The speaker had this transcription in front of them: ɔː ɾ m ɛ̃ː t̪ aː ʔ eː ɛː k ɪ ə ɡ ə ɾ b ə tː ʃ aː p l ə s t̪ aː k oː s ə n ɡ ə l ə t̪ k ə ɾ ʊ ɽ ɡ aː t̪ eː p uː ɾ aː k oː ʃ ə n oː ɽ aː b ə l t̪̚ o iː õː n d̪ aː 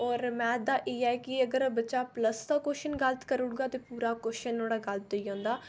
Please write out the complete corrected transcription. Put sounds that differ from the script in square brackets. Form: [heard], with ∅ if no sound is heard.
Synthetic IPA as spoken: ɔː ɾ m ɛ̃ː [d̪] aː ʔ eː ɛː k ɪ ə ɡ ə ɾ b ə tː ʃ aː p l ə s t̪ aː k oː [ʃ] ə n ɡ ə l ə t̪ k ə ɾ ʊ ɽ ɡ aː t̪ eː p uː ɾ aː k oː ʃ ə n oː ɽ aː [ɡ] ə l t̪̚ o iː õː n d̪ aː